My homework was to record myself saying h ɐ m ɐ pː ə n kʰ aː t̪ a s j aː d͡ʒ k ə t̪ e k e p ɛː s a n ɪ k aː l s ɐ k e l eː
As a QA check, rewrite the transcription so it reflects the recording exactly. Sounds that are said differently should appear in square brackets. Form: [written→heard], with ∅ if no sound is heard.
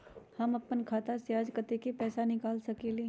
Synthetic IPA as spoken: h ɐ m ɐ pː ə n kʰ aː t̪ a s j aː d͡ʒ k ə t̪ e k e p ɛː s a n ɪ k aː l s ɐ k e l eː

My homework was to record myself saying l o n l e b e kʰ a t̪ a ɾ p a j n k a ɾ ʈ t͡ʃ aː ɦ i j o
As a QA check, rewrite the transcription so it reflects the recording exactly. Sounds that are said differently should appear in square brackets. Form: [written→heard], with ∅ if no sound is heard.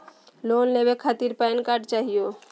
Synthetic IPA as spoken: l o n l e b e kʰ a t̪ [a→i] ɾ p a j n k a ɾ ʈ t͡ʃ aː ɦ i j o

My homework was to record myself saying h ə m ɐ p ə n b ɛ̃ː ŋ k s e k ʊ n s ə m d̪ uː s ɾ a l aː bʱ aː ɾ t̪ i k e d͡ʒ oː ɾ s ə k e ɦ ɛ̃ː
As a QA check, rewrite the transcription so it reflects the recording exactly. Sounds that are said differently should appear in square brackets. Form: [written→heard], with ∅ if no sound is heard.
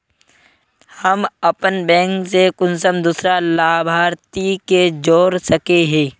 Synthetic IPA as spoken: h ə m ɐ p ə n b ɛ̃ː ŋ k s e k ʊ n s ə m d̪ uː s ɾ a l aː bʱ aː ɾ t̪ i k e d͡ʒ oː ɾ s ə k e ɦ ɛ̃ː

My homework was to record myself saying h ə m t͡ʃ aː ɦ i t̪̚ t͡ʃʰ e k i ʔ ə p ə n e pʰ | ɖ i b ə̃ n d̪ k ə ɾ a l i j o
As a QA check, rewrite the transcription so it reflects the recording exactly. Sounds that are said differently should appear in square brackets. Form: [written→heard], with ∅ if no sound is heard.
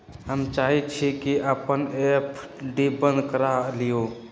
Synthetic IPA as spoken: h ə m t͡ʃ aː ɦ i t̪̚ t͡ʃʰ [e→i] k i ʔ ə p ə n e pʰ | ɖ i b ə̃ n d̪ k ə ɾ a l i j o

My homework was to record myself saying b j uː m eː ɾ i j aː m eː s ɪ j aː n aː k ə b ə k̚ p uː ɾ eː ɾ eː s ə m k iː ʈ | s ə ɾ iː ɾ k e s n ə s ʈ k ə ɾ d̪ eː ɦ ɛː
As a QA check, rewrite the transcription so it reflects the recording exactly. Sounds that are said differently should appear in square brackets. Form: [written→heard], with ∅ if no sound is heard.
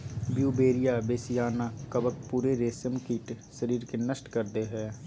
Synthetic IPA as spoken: b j uː [m→b] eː ɾ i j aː [m→b] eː s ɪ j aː n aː k ə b ə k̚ p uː ɾ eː ɾ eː s ə m k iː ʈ | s ə ɾ iː ɾ k e [s→∅] n ə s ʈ k ə ɾ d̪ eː ɦ ɛː

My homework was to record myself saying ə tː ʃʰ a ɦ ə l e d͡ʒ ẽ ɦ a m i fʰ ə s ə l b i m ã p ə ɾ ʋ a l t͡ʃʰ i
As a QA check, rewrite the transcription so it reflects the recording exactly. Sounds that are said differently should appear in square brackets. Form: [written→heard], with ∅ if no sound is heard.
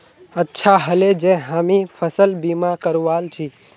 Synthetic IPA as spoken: ə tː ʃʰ a ɦ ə l e d͡ʒ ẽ ɦ a m i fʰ ə s ə l b i m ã [p→k] ə ɾ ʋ a l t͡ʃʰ i

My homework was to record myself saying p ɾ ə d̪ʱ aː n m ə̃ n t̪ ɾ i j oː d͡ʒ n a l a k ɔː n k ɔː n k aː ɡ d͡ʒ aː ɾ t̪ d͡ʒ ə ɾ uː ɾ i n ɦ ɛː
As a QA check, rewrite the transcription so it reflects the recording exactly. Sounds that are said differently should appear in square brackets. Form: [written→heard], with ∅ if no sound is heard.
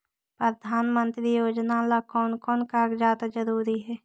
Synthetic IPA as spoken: p ɾ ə d̪ʱ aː n m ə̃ n t̪ ɾ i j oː d͡ʒ n a l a k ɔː n k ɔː n k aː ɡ d͡ʒ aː [ɾ→∅] t̪ d͡ʒ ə ɾ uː ɾ i [n→∅] ɦ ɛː

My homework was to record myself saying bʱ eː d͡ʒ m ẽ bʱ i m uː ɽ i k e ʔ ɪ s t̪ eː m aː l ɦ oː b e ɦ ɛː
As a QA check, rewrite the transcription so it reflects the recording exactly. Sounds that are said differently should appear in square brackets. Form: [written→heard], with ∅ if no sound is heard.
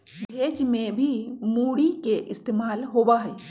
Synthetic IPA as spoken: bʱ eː d͡ʒ m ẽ bʱ i m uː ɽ i k e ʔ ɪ s t̪ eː m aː l ɦ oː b [e→a] ɦ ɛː

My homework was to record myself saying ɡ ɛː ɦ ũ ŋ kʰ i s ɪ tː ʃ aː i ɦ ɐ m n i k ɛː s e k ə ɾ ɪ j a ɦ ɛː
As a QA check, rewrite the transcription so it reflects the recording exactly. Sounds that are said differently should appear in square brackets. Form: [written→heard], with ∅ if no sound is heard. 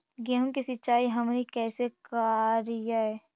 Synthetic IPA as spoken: ɡ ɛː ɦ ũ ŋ [kʰ→k] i s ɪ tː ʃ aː i ɦ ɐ m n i k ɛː s e k [ə→a] ɾ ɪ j a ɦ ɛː

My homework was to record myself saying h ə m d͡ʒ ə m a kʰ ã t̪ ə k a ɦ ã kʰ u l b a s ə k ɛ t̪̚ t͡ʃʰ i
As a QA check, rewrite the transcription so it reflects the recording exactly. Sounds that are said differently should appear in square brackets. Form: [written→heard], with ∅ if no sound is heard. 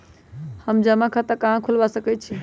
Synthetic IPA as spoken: h ə m d͡ʒ ə m a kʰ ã t̪ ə k a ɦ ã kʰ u l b a s ə k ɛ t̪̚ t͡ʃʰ i

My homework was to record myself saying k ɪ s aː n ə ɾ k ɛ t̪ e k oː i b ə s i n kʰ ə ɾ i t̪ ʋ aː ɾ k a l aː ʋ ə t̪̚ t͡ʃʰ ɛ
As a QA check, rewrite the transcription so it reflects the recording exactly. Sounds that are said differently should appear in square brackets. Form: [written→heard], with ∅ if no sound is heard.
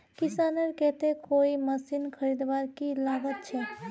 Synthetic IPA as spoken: k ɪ s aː n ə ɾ k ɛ t̪ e k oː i [b→m] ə s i n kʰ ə ɾ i [t̪→d̪] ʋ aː ɾ k [a→i] l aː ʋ ə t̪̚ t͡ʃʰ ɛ

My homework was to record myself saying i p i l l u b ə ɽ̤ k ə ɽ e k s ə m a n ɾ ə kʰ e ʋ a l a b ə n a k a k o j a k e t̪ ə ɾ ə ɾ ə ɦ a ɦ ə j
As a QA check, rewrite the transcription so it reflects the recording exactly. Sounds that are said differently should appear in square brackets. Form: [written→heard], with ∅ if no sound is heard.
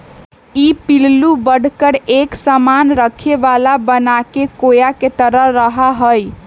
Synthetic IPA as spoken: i p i l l u b ə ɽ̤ k ə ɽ e k s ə m a n ɾ ə kʰ e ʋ a l a b ə n a k [a→e] k o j a k e t̪ ə ɾ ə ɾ ə ɦ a ɦ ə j

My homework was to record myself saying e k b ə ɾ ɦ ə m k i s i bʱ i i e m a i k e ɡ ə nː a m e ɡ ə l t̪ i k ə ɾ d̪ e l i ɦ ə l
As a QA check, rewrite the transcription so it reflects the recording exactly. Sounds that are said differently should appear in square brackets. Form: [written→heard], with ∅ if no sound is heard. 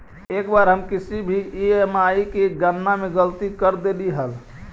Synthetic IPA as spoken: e k b [ə→a] ɾ ɦ ə m k i s i bʱ i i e m a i k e ɡ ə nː a m e ɡ ə l t̪ i k ə ɾ d̪ e l i ɦ ə l

